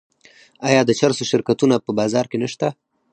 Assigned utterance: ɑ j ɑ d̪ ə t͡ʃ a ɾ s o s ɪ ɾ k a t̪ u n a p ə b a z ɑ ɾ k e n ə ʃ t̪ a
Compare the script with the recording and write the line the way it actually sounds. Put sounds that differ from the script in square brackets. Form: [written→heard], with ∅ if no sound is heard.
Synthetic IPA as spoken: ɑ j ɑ d̪ ə t͡ʃ a ɾ s o [s→ʃ] ɪ ɾ k a t̪ u n a p ə b [a→ɑ] z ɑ ɾ k e n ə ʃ t̪ a